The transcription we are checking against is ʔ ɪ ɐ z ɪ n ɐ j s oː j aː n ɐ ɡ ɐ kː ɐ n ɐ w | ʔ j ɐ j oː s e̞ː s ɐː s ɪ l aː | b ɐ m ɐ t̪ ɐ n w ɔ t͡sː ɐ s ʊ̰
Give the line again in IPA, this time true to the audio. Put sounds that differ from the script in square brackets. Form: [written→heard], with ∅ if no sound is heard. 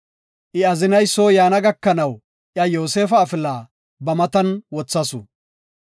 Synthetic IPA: ʔ ɪ ɐ z ɪ n ɐ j s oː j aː n ɐ ɡ ɐ kː ɐ n ɐ w | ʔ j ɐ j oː s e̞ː [s→f] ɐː [s→f] ɪ l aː | b ɐ m ɐ t̪ ɐ n w ɔ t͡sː ɐ s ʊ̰